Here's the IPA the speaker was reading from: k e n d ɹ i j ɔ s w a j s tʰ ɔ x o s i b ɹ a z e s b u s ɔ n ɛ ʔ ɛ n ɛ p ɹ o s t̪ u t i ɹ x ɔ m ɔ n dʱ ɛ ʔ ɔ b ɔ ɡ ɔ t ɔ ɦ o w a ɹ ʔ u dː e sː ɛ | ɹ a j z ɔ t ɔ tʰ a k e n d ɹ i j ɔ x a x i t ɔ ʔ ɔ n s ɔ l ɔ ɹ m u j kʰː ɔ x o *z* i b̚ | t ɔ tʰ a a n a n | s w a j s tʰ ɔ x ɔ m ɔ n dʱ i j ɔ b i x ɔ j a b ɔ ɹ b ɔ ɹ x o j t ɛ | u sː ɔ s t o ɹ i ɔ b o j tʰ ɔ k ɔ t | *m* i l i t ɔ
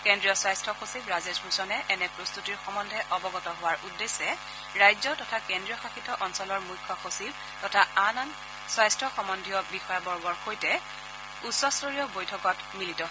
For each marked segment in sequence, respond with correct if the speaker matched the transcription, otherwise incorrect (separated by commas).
incorrect, correct